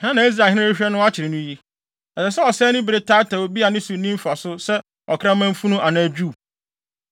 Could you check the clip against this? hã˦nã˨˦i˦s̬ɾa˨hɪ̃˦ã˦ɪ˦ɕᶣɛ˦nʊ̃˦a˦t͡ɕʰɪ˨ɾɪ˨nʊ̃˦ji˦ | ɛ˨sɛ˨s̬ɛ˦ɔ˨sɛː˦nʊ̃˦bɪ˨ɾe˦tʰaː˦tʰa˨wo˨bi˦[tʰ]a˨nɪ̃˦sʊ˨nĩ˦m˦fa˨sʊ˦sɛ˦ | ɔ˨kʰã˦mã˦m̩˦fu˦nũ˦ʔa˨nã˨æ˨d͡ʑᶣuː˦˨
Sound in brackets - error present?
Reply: yes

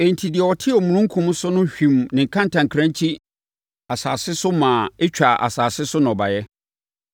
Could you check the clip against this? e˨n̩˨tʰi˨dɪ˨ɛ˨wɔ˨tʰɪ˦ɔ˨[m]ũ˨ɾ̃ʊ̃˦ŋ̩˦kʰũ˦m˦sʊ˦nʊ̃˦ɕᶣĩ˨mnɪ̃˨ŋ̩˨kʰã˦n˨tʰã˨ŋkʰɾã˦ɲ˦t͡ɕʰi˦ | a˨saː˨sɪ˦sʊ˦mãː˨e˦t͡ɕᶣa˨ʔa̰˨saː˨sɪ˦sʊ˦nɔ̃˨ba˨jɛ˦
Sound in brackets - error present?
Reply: no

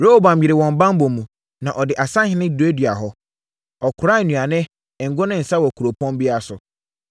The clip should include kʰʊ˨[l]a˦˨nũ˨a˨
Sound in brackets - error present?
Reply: yes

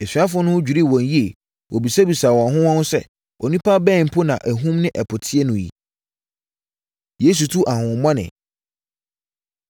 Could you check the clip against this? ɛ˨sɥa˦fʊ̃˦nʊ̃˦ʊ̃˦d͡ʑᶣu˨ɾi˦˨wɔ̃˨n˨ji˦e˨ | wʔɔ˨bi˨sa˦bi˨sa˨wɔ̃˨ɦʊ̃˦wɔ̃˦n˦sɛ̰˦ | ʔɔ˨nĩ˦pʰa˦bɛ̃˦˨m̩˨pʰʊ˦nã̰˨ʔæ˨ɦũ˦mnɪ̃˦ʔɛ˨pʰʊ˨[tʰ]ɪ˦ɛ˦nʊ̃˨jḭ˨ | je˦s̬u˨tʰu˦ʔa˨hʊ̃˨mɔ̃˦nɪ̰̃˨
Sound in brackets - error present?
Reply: no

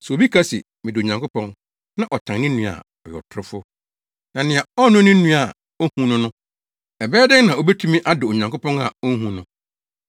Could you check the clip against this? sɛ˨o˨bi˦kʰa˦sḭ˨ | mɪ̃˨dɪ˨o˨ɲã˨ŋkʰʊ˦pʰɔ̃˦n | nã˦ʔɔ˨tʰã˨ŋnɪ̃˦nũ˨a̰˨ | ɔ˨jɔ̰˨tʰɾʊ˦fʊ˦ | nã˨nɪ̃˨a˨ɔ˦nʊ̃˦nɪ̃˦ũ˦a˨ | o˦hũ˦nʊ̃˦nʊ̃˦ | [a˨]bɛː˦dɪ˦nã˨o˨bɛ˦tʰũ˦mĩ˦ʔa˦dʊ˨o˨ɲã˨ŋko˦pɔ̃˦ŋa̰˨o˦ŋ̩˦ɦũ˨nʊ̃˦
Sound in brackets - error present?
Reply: yes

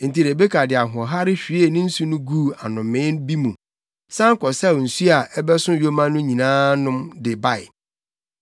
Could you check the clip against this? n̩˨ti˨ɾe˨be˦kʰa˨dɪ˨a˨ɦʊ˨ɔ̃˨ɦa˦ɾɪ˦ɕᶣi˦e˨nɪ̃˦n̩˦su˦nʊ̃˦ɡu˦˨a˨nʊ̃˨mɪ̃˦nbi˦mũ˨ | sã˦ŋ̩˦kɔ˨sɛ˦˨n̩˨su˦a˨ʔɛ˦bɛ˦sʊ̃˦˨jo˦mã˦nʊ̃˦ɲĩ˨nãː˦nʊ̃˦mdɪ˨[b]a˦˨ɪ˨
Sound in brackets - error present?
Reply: no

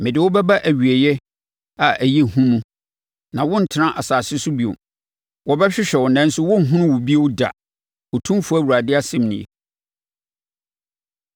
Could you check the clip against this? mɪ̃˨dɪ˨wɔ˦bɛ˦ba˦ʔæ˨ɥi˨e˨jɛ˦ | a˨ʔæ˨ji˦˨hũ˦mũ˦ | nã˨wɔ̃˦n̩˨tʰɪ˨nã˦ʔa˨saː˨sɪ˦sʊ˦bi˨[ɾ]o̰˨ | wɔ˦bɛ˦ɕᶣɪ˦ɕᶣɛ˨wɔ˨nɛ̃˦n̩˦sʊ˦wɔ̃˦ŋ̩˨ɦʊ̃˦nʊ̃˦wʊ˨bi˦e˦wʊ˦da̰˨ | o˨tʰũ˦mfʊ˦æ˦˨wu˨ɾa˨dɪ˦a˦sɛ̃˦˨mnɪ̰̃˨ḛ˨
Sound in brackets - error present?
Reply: yes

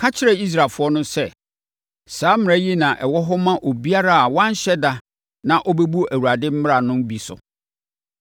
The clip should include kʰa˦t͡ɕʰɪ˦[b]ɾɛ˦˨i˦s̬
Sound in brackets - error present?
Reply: yes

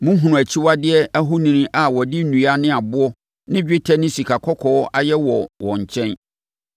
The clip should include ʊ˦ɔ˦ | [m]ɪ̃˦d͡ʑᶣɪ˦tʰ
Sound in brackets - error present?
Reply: yes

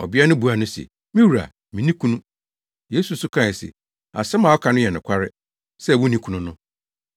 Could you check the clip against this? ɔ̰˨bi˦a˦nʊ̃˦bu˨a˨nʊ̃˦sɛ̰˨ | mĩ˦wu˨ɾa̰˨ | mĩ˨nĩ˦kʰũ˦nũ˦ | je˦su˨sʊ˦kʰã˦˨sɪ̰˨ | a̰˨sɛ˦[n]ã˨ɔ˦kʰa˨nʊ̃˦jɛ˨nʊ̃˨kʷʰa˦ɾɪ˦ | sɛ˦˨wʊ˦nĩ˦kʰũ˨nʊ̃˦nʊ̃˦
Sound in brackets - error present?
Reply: yes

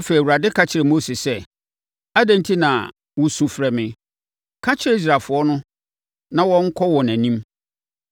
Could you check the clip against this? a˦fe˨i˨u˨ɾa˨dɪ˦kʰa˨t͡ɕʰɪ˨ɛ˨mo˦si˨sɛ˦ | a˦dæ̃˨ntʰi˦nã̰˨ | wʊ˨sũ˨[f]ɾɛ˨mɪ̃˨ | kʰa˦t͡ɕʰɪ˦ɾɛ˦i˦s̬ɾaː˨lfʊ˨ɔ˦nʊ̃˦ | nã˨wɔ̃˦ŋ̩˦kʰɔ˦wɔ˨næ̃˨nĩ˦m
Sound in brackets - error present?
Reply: no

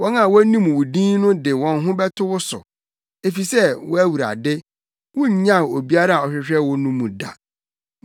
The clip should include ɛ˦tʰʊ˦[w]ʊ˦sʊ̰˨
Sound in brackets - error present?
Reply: no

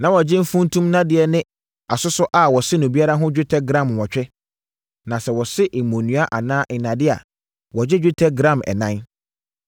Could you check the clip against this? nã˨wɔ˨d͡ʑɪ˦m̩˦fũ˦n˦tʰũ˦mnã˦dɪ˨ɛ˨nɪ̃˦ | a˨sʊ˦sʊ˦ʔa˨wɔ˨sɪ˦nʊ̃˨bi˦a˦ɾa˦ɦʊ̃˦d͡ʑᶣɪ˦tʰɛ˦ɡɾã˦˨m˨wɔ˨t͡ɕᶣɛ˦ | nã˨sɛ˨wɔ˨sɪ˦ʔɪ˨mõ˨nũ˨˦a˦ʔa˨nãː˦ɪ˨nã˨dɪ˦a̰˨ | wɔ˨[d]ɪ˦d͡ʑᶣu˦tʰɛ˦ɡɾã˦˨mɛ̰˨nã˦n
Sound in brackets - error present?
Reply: yes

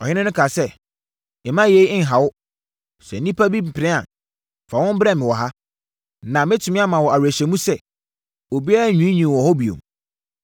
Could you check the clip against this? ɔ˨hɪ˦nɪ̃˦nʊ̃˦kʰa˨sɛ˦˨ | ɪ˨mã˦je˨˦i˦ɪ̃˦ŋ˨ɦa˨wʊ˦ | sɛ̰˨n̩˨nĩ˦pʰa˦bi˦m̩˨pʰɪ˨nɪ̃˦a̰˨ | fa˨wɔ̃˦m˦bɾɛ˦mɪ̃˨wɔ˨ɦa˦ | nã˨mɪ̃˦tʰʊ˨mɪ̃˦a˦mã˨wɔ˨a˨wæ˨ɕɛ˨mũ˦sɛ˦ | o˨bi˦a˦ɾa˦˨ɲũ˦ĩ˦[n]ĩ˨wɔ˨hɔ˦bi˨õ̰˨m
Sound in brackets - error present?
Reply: yes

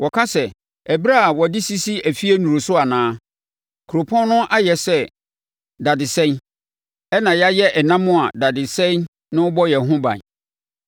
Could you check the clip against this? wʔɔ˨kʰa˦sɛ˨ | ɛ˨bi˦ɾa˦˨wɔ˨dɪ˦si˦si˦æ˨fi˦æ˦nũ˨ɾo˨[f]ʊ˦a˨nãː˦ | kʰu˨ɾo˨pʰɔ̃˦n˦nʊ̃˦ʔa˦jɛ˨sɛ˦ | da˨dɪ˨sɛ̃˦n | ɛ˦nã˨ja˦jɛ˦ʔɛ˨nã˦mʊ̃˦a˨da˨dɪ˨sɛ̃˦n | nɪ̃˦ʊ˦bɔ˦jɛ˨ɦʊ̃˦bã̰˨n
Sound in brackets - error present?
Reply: yes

